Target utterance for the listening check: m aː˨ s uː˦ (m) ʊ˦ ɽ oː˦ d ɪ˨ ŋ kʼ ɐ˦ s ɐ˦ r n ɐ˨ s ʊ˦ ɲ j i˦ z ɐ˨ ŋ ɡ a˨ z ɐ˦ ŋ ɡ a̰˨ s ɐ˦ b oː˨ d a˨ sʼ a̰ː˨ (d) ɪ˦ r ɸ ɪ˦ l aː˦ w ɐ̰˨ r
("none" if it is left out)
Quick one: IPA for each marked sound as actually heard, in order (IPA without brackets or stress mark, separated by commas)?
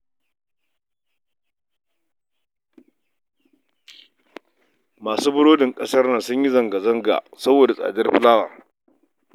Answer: b, d